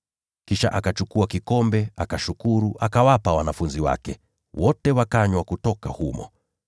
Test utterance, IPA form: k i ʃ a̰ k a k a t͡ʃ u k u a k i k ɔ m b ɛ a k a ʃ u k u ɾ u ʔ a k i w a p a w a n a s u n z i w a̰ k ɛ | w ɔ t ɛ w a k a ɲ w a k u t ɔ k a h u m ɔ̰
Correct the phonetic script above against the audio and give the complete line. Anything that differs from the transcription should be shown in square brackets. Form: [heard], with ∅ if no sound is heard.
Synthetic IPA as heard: k i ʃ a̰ [ʔ] a k a t͡ʃ u k u a k i k ɔ m b ɛ a k a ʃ u k u ɾ u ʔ a k [a] w a p a w a n a [f] u n z i w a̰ k ɛ | w ɔ t ɛ w a k a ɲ w a k u t ɔ k a h u m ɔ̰